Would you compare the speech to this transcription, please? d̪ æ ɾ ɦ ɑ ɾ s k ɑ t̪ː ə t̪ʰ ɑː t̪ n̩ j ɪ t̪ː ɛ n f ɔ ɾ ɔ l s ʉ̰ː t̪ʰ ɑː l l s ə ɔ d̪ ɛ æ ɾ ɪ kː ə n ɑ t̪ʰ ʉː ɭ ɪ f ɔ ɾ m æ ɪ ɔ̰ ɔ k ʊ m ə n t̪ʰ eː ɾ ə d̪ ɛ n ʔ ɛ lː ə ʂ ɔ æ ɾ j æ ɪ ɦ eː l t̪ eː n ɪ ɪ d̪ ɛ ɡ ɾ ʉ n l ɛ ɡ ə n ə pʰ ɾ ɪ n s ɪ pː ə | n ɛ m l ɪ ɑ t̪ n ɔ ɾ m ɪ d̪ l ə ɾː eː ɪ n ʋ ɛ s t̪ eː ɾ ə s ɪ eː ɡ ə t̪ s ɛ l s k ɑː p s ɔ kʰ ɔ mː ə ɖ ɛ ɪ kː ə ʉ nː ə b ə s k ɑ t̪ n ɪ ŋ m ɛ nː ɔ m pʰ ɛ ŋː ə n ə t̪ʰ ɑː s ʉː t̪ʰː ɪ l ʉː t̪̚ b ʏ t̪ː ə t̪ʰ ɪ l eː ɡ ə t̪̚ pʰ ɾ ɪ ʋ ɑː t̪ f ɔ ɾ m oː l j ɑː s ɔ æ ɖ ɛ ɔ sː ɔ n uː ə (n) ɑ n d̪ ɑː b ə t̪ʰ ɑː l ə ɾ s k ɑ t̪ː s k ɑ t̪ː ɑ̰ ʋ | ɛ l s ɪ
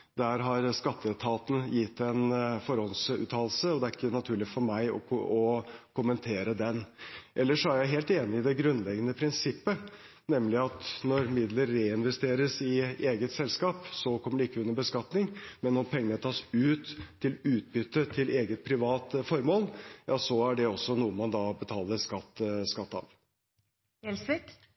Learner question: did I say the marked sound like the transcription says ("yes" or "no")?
no